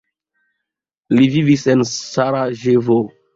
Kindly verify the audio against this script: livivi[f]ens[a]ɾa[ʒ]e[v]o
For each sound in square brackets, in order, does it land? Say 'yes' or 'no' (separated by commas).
no, yes, yes, yes